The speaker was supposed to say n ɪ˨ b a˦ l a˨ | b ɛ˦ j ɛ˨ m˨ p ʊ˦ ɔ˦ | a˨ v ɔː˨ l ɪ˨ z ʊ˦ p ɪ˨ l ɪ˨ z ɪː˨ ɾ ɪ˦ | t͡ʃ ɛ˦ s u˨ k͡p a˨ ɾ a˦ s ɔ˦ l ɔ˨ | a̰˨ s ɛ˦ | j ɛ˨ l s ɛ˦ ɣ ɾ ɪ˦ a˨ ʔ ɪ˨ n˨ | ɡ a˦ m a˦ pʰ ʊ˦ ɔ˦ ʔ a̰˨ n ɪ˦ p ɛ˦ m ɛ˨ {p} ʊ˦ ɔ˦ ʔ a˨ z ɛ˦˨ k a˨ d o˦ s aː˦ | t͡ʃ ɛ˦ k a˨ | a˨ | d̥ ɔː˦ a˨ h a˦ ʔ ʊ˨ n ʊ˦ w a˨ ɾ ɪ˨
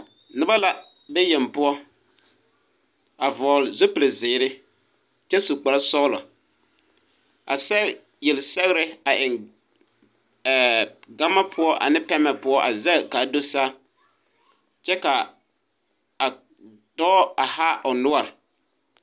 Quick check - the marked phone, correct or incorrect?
correct